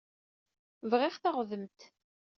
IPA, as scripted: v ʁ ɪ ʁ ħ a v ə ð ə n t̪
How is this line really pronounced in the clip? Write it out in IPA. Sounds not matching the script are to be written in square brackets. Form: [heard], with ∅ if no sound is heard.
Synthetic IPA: v ʁ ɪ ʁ [θ] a [ʁ] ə ð ə [m] t̪